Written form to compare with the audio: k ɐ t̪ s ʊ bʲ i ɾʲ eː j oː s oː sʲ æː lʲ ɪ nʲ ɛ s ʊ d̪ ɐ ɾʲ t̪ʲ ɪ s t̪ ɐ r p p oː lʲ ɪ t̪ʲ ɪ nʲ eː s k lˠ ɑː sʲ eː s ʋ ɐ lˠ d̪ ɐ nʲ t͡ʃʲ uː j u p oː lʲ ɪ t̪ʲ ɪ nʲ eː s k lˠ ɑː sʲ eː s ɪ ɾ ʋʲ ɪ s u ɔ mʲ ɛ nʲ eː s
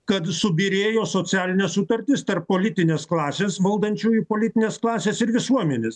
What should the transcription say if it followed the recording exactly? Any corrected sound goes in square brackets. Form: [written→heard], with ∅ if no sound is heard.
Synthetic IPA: k ɐ t̪ s ʊ bʲ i ɾʲ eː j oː s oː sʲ æː lʲ ɪ nʲ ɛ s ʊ [d̪→t̪] ɐ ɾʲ t̪ʲ ɪ s t̪ ɐ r p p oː lʲ ɪ t̪ʲ ɪ nʲ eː s k lˠ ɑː sʲ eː s ʋ ɐ lˠ d̪ ɐ nʲ t͡ʃʲ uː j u p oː lʲ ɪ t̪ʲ ɪ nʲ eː s k lˠ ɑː sʲ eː s ɪ ɾ ʋʲ ɪ s u ɔ mʲ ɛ nʲ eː s

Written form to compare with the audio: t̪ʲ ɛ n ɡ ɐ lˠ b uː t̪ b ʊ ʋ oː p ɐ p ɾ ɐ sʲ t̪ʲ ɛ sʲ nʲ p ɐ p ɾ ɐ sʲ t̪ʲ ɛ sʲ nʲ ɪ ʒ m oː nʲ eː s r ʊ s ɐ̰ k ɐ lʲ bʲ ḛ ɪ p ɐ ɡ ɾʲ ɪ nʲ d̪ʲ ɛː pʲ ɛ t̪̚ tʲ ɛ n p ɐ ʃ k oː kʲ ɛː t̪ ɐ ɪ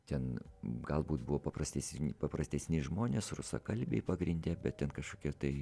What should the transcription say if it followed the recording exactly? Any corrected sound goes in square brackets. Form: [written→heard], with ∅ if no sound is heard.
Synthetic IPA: t̪ʲ ɛ n ɡ ɐ lˠ b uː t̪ b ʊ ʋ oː p ɐ p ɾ ɐ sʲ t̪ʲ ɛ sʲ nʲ p ɐ p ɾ ɐ sʲ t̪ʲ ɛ sʲ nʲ ɪ ʒ m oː nʲ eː s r ʊ s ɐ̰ k ɐ lʲ bʲ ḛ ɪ p ɐ ɡ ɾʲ ɪ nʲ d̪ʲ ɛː [pʲ→bʲ] ɛ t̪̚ tʲ ɛ n [p→k] ɐ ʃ k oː kʲ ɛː t̪ ɐ ɪ

